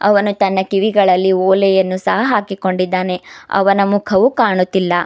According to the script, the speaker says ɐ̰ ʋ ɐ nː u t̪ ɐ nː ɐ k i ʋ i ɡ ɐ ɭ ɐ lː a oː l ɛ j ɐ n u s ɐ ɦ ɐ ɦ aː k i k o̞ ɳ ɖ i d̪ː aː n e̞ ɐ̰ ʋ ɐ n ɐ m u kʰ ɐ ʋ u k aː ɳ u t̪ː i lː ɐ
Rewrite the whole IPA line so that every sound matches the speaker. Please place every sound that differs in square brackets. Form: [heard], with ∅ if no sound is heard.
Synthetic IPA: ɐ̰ ʋ ɐ [n] u t̪ ɐ nː ɐ k i ʋ i ɡ ɐ ɭ ɐ lː [i] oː l ɛ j ɐ [nː] u s ɐ ɦ ɐ ɦ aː k i k o̞ ɳ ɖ i d̪ː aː n e̞ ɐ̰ ʋ ɐ n ɐ m u kʰ ɐ ʋ u k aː ɳ u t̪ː i lː ɐ